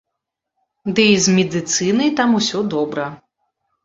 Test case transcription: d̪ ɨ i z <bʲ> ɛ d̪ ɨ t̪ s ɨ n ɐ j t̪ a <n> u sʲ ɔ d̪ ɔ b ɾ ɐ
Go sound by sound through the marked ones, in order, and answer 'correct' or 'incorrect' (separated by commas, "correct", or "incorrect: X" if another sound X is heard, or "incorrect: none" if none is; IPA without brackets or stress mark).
incorrect: mʲ, incorrect: m